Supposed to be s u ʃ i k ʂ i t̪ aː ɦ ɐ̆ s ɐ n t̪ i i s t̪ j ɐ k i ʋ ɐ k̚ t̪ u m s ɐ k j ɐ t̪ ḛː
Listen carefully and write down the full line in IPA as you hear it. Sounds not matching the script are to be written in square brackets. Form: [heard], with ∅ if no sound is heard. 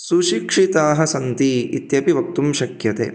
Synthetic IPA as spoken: s u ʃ i k ʂ i t̪ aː ɦ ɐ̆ s ɐ n t̪ i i [∅] t̪ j ɐ [p] i ʋ ɐ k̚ t̪ u m [ʃ] ɐ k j ɐ t̪ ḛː